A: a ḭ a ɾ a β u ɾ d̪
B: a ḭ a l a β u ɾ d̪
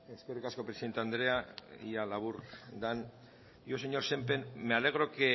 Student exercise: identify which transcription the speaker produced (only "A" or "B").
B